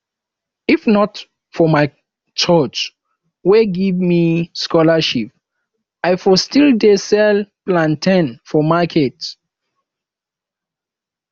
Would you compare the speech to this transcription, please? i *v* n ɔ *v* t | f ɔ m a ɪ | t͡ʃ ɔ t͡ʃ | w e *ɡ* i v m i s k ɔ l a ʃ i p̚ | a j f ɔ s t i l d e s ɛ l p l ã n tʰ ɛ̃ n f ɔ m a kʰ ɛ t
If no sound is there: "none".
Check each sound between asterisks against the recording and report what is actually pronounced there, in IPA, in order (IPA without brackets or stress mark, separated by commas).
f, none, ɡ